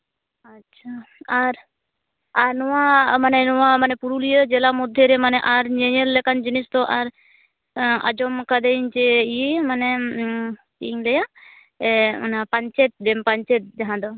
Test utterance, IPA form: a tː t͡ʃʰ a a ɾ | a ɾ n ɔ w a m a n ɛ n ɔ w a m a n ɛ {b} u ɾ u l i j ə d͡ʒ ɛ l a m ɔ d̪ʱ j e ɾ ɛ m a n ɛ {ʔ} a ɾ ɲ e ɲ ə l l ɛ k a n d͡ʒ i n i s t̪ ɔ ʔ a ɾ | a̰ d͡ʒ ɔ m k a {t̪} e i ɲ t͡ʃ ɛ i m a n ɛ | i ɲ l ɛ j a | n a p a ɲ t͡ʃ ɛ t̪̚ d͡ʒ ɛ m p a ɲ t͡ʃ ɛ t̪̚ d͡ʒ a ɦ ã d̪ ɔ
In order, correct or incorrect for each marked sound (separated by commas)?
incorrect, correct, incorrect